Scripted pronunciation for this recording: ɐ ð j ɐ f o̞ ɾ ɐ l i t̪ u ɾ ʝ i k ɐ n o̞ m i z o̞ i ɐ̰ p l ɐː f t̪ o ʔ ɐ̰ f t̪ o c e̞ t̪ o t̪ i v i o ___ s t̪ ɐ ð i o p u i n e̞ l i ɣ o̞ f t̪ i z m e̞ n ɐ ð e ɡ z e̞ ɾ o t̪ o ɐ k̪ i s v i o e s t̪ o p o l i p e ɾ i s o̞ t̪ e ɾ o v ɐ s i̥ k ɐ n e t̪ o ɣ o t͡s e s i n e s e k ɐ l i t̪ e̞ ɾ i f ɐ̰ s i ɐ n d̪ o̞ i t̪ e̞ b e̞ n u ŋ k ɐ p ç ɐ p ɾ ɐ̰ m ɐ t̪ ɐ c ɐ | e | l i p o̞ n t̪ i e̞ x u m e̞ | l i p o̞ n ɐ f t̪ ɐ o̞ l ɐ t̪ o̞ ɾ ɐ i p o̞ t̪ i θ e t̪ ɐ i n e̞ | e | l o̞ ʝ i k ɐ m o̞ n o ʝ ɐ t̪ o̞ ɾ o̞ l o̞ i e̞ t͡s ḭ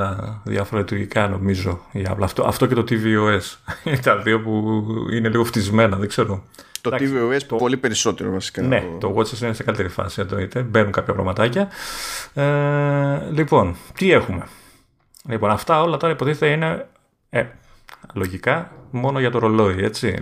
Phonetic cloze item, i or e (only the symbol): e